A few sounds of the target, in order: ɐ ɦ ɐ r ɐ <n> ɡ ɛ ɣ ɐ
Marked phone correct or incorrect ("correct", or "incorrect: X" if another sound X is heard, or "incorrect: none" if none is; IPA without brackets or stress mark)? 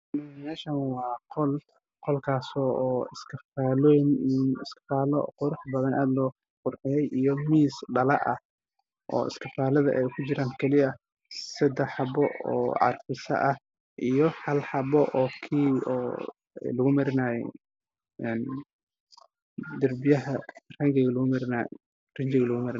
incorrect: ŋ